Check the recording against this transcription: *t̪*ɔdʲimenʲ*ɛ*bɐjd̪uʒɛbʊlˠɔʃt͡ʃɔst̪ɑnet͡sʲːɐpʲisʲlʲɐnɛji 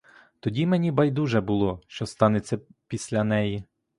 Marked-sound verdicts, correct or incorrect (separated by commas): correct, incorrect